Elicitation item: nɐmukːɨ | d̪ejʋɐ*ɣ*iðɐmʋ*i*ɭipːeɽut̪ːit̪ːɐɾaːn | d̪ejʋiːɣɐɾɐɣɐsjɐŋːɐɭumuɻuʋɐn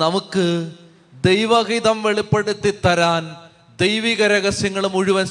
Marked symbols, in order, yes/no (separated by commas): yes, no